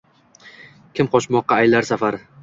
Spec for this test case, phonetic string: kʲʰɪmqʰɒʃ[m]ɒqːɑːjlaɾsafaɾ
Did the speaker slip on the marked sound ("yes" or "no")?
no